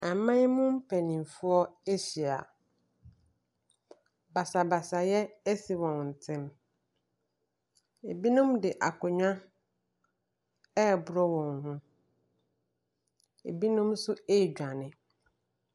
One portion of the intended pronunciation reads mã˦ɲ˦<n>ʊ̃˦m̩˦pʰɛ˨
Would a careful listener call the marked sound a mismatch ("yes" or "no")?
yes